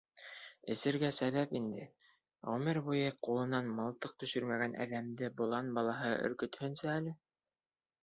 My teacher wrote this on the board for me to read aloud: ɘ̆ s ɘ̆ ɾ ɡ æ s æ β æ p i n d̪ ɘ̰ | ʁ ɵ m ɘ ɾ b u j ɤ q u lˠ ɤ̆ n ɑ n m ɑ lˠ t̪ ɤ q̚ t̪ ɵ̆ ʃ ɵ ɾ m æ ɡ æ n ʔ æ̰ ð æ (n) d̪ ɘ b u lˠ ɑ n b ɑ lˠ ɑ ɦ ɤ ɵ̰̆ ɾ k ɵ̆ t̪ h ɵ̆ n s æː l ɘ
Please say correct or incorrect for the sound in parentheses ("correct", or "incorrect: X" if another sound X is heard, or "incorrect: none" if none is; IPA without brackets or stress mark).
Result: incorrect: m